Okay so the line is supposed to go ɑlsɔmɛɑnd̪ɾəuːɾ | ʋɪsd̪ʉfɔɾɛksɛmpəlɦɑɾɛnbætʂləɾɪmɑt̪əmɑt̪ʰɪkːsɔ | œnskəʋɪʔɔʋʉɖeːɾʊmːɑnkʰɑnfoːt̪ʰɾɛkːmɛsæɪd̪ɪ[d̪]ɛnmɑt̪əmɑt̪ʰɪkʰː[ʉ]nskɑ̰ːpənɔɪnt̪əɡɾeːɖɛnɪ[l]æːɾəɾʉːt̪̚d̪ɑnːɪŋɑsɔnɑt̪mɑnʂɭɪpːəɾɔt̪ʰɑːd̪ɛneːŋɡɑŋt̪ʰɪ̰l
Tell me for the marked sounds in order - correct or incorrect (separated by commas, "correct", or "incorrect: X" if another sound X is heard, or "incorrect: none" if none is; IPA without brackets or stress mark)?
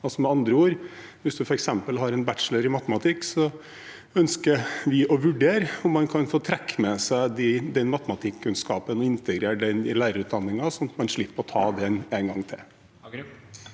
correct, correct, correct